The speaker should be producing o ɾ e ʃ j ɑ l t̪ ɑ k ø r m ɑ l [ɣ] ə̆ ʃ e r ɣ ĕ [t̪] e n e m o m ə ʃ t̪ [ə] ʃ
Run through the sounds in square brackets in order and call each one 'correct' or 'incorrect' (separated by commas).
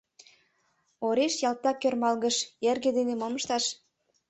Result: correct, incorrect, incorrect